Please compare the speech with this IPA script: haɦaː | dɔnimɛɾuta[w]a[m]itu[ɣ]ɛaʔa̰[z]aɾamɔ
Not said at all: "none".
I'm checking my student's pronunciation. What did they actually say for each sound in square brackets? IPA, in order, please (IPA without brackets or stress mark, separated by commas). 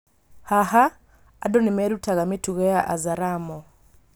ɣ, m, ɣ, z